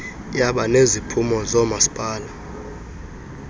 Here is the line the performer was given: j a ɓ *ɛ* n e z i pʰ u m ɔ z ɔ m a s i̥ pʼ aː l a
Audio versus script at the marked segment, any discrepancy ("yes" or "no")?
yes